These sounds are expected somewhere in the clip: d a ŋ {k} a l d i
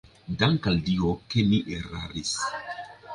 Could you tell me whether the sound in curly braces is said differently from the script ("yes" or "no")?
no